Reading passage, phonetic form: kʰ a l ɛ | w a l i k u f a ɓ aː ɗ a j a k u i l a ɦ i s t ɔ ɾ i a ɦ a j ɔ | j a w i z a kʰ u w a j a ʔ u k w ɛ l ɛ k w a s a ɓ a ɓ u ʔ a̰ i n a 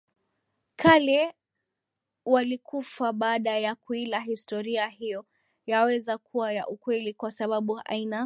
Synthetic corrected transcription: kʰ a l ɛ | w a l i k u f a ɓ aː ɗ a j a k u i l a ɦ i s t ɔ ɾ i a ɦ i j ɔ | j a w ɛ z a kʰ u w a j a ʔ u k w ɛ l i k w a s a ɓ a ɓ u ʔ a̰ i n a